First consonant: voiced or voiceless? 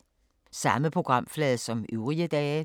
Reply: voiceless